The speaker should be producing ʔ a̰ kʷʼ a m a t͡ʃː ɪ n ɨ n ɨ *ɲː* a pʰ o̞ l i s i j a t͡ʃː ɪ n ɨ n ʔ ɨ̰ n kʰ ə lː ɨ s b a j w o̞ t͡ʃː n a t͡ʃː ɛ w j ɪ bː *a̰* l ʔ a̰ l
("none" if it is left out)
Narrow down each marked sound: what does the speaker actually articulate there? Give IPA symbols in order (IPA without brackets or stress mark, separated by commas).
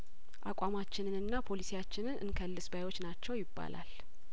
nː, a̰